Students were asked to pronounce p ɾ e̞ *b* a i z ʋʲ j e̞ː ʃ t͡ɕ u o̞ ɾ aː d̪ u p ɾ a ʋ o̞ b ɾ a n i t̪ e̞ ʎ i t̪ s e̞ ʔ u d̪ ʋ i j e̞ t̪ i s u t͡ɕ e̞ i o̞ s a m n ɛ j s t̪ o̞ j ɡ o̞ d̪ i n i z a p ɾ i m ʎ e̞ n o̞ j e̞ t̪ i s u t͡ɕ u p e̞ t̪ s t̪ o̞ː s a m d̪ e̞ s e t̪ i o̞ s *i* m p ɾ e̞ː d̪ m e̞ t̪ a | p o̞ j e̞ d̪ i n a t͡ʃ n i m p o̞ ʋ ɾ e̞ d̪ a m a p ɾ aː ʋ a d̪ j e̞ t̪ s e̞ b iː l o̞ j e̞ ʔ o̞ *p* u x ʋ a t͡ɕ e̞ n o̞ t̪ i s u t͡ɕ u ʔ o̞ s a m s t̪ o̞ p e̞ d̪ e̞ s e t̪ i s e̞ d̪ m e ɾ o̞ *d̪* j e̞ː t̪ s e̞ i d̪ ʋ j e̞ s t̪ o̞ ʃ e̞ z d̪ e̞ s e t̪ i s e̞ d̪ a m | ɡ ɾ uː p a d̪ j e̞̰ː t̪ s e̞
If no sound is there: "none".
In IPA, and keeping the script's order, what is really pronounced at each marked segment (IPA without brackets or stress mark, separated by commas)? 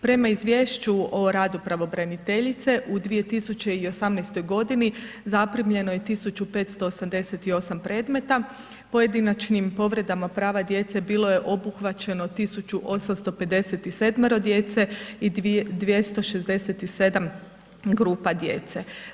m, a, b, d̪